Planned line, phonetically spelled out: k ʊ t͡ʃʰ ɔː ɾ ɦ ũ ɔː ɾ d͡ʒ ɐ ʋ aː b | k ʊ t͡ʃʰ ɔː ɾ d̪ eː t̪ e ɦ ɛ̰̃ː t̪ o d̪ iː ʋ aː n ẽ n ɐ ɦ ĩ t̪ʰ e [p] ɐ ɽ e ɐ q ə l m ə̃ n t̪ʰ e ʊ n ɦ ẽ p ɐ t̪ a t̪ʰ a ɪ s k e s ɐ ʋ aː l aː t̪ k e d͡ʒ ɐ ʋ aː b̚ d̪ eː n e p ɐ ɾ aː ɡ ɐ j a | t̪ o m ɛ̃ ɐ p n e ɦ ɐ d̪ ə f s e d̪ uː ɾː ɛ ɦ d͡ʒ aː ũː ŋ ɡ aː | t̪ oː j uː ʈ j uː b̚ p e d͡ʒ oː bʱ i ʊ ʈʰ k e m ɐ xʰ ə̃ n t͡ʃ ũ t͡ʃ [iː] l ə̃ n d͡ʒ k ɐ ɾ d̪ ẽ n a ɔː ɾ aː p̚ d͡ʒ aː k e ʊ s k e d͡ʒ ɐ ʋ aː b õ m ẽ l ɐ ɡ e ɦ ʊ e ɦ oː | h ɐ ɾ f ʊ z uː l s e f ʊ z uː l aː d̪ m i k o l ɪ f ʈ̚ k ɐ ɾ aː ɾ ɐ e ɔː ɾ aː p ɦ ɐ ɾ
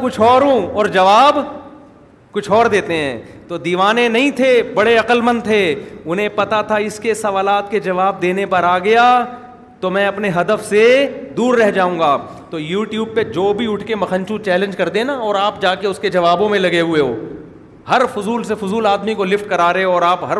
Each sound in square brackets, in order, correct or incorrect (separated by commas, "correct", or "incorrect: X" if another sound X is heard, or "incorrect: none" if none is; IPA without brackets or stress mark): incorrect: b, incorrect: ɛː